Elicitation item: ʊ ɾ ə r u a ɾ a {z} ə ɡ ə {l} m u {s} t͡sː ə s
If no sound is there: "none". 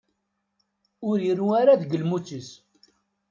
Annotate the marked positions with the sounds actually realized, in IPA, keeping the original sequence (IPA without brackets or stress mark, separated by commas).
ð, l, none